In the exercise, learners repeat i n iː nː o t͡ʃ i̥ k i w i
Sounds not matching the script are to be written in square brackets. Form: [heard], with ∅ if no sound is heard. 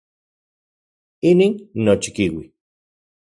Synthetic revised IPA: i n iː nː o t͡ʃ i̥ k i w i